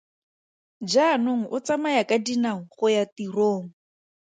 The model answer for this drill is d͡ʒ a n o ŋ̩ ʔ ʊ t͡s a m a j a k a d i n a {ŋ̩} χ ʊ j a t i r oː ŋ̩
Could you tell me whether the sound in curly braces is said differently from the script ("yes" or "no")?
no